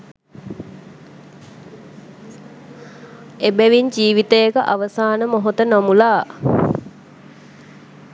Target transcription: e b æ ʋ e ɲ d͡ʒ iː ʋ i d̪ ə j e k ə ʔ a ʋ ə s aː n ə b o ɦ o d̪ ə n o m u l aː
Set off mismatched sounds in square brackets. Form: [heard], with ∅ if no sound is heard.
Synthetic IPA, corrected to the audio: e b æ ʋ [i] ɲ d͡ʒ iː ʋ i [t̪] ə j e k ə ʔ a ʋ ə s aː n ə [m] o ɦ o [t̪] ə n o m u l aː